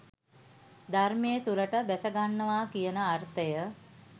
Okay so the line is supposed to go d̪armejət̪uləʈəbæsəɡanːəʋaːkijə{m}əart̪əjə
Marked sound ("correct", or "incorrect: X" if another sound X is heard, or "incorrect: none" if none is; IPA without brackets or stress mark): incorrect: n